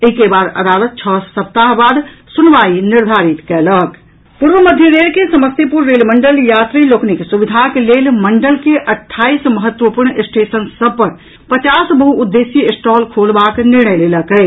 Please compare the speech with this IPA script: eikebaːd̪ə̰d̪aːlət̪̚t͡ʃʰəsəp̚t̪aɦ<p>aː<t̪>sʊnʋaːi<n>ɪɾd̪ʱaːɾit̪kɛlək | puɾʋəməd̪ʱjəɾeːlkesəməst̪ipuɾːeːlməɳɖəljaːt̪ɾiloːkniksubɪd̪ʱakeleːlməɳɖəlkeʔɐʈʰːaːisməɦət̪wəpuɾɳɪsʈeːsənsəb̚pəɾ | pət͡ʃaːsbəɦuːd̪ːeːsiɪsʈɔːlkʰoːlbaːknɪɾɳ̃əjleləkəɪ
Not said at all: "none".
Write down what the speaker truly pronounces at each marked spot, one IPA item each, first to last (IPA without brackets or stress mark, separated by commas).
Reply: b, d̪, n